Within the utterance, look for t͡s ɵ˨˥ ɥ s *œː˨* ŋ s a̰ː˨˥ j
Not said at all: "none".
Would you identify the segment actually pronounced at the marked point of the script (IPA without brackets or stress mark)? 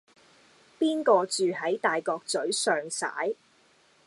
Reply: œː˨